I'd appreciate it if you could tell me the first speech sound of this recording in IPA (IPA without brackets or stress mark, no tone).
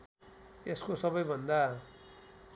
e